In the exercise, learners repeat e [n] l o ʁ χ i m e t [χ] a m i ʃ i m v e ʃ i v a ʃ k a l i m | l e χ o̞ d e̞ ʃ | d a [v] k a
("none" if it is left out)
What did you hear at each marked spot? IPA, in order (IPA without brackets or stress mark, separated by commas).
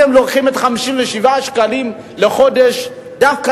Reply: m, χ, f